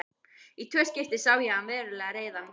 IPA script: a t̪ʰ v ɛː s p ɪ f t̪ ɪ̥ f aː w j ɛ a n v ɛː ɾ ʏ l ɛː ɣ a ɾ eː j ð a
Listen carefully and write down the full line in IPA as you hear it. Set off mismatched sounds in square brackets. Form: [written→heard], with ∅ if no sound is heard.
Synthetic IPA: [a→i] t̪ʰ v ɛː s [p→c] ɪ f t̪ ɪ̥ [f→s] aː w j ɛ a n v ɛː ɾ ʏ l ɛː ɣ a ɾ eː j ð a